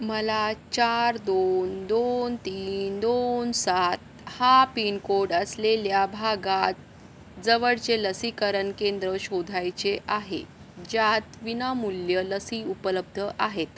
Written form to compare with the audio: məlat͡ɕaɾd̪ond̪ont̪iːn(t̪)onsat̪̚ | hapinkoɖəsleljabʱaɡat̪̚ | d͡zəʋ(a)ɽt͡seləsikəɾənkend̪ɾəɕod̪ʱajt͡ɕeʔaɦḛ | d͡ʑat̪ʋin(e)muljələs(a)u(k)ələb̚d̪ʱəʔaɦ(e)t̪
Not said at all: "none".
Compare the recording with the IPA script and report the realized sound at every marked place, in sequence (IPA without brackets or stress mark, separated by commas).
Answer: d̪, ə, a, i, p, e